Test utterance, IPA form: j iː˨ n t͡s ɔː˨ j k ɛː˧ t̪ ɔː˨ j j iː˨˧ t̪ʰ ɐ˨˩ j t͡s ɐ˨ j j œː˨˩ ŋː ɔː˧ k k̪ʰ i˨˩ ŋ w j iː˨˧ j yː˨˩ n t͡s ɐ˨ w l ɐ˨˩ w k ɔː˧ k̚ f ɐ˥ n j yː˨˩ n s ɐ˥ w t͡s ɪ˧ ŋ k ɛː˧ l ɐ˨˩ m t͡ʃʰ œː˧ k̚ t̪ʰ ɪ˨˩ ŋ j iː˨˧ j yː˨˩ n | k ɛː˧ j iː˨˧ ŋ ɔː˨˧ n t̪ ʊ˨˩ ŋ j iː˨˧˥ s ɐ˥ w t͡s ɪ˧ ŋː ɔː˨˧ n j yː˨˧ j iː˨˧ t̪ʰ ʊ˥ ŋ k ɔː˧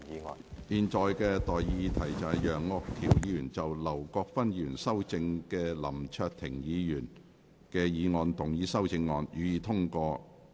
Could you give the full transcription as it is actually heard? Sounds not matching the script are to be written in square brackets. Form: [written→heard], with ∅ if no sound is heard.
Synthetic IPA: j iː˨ n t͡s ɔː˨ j k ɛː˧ t̪ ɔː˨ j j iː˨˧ t̪ʰ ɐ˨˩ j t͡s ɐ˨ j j œː˨˩ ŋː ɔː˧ k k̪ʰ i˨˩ [ŋ→∅] w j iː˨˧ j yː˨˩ n t͡s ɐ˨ w l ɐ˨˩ w k ɔː˧ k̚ f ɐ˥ n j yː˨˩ n s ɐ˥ w t͡s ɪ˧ ŋ k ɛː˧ l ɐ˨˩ m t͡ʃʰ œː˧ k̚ t̪ʰ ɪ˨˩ ŋ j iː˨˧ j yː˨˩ n | k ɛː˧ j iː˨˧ ŋ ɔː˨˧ n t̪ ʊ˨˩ ŋ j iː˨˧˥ s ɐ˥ w t͡s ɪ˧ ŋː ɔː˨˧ n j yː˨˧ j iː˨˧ t̪ʰ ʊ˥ ŋ k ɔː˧